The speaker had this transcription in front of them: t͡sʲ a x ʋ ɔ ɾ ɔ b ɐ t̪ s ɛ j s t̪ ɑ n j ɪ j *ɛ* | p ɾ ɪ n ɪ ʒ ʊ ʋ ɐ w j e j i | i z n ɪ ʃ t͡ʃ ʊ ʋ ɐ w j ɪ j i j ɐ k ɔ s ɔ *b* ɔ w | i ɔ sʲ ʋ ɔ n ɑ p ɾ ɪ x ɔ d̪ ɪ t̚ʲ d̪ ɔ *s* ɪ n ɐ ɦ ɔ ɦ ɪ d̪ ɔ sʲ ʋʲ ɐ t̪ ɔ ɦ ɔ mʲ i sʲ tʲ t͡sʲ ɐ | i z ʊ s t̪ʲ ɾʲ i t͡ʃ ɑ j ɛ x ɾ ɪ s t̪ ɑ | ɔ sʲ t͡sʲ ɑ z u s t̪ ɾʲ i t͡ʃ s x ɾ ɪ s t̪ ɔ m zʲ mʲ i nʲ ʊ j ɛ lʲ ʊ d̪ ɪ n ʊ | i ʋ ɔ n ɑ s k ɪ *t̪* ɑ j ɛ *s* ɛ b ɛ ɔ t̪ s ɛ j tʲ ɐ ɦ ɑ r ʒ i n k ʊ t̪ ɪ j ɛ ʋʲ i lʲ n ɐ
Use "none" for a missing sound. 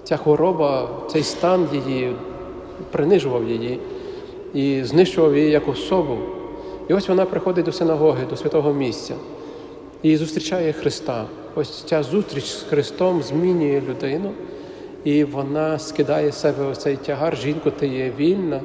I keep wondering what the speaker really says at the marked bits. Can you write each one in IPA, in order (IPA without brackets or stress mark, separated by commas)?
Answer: i, b, s, d̪, s